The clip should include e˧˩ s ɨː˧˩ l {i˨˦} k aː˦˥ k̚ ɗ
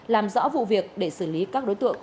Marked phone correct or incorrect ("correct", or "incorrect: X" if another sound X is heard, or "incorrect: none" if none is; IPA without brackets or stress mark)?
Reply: correct